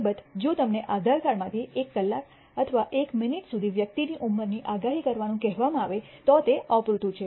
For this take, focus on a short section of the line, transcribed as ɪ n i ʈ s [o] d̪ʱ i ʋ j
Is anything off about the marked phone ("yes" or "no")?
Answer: yes